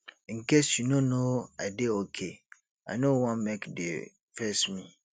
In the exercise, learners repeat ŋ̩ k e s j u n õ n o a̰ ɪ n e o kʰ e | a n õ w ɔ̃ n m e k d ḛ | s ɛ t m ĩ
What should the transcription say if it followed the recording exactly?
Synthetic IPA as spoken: ŋ̩ k e s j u n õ n o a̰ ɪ d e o kʰ e | a n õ w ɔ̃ n m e k d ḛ | f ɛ s m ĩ